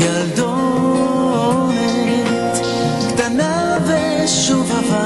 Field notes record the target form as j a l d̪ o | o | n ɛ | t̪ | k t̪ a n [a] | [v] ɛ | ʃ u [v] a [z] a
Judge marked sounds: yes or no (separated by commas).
yes, yes, yes, no